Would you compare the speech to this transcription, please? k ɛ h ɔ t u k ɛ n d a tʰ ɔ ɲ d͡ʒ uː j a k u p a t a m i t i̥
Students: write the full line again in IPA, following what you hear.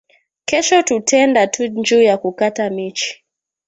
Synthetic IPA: k ɛ ʃ ɔ t u t ɛ n d a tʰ u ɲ d͡ʒ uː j a k u k a t a m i t͡ʃ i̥